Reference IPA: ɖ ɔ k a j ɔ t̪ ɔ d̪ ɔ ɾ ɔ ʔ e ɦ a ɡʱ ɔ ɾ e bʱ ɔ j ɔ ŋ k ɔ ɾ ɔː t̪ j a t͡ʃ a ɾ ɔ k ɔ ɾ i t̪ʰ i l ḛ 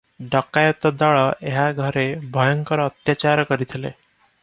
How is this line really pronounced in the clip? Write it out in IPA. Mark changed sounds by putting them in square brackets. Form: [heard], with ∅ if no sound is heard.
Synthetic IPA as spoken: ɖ ɔ k a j ɔ t̪ ɔ d̪ ɔ [ɭ] ɔ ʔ e ɦ a ɡʱ ɔ ɾ e bʱ ɔ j ɔ ŋ k ɔ ɾ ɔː t̪ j a t͡ʃ a ɾ ɔ k ɔ ɾ i t̪ʰ i l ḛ